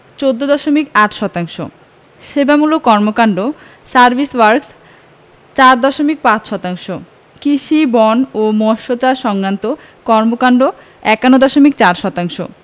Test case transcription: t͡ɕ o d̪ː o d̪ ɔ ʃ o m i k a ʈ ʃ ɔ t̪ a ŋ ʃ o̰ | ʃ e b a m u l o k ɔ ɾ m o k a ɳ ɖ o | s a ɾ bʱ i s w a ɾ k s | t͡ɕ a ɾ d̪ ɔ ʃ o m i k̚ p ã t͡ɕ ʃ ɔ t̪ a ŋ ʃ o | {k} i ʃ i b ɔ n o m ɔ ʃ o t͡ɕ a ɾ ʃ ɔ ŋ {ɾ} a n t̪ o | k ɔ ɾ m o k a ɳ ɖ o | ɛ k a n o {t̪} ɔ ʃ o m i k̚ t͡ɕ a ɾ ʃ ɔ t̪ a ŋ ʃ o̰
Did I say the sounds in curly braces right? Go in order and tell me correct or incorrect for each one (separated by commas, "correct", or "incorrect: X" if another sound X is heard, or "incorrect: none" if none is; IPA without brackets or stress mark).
correct, correct, incorrect: d̪